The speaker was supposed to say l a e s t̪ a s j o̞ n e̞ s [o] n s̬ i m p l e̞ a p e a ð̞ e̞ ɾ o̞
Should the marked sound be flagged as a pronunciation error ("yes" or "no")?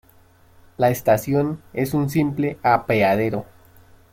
yes